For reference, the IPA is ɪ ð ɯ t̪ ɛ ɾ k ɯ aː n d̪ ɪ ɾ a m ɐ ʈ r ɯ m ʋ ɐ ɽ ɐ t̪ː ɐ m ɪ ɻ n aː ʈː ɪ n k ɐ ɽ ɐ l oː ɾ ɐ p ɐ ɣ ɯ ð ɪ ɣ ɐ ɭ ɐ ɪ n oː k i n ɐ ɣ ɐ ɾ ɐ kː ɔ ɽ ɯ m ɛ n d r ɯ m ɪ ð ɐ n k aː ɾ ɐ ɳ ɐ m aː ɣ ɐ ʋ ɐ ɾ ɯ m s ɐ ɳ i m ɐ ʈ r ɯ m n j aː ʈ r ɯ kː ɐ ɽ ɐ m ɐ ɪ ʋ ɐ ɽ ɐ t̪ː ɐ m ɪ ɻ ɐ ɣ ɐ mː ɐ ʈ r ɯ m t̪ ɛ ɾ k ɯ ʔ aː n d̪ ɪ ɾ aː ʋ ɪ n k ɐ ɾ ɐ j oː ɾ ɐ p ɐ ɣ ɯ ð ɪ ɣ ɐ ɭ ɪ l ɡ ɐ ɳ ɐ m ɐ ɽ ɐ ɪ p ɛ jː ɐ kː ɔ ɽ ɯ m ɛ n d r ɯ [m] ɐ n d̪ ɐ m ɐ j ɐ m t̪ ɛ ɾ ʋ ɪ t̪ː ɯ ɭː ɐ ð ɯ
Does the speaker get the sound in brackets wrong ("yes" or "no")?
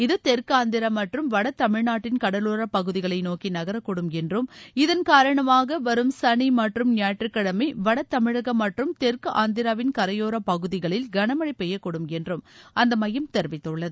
no